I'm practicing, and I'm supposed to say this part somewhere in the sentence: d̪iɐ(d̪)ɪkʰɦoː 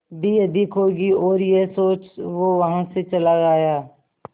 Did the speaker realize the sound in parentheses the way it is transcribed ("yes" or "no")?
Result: yes